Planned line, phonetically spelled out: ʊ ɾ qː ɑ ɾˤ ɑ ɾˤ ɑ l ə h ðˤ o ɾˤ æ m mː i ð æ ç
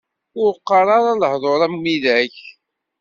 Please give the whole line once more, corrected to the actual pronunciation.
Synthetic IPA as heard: ʊ ɾ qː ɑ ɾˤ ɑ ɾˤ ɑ l ə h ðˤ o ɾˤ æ m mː i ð æ ç

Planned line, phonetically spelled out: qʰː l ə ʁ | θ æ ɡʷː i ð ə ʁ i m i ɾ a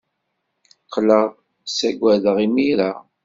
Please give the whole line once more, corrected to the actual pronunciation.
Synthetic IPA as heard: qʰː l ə ʁ | s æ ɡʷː æ ð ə ʁ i m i ɾ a

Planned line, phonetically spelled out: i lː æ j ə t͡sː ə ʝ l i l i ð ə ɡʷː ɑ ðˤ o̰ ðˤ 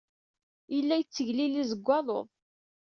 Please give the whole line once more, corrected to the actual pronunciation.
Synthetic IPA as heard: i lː æ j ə t͡sː ə ʝ l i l i z ə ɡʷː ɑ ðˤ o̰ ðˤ

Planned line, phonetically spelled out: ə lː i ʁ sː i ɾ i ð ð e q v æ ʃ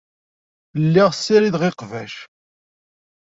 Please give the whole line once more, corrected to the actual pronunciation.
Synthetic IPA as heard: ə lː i ʁ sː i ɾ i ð ʁ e q v æ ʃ

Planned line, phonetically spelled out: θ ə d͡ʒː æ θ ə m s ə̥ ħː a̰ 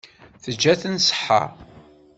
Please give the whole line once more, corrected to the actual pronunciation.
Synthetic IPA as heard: θ ə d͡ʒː æ θ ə n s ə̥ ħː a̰

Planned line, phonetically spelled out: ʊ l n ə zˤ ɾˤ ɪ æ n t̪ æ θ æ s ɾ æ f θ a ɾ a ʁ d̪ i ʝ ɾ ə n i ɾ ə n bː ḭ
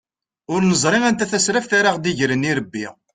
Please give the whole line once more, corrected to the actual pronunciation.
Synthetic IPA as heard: ʊ ɾ n ə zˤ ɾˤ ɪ æ n t̪ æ θ æ s ɾ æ f θ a ɾ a ʁ d̪ i ʝ ɾ ə n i ɾ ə bː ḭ

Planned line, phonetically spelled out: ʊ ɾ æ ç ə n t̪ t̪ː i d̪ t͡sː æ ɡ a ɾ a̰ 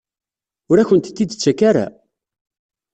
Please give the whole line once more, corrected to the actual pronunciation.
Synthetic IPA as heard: ʊ ɾ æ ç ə n t̪ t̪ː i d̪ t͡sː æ k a ɾ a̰

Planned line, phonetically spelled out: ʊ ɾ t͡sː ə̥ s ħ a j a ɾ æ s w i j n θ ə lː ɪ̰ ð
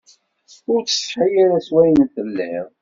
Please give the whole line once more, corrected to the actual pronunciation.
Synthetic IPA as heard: ʊ ɾ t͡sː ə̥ s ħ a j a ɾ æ s w æ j n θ ə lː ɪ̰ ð

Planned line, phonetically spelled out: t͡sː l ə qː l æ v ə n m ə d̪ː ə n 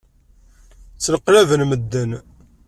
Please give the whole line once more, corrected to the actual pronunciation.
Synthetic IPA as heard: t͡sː l ə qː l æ v ə n m ə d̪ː ə n

